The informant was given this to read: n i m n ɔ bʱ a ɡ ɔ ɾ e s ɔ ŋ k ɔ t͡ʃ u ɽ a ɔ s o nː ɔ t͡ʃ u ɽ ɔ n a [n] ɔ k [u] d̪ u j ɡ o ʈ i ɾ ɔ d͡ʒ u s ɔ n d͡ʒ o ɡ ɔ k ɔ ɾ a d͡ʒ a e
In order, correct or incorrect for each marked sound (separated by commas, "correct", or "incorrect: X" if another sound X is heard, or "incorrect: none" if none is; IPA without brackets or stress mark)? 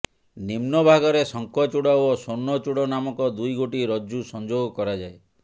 incorrect: m, incorrect: ɔ